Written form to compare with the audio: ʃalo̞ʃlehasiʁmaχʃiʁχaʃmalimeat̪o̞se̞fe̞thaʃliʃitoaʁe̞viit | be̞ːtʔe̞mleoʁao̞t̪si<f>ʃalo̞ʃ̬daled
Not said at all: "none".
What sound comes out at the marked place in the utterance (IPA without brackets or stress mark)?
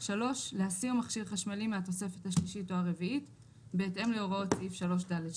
f